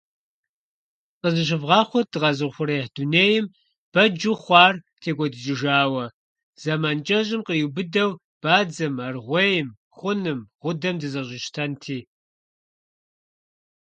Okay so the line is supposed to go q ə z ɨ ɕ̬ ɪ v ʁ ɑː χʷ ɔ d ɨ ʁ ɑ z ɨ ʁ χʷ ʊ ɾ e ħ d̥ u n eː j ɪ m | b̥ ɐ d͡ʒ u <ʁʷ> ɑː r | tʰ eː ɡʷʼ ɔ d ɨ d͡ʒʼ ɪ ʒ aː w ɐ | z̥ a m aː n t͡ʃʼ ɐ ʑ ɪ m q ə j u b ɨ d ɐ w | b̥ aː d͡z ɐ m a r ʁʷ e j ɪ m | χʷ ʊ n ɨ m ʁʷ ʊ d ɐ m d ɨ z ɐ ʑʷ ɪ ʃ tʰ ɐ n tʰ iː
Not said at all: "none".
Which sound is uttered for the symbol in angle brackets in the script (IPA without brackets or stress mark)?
χʷ